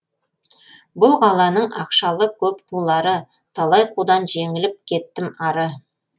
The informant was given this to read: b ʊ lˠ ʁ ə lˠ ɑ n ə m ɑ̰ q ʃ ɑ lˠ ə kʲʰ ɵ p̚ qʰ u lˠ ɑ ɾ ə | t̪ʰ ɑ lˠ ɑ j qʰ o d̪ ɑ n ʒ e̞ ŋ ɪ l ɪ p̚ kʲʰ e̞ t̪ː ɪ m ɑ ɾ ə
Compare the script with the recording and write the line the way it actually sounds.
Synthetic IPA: b ʊ lˠ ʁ ɑ lˠ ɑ n ə ɴ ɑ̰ q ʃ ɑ lˠ ə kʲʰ ɵ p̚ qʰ u lˠ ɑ ɾ ə | t̪ʰ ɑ lˠ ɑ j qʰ u d̪ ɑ n ʒ e̞ ŋ ɪ l ɪ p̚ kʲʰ e̞ t̪ː ɪ m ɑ ɾ ə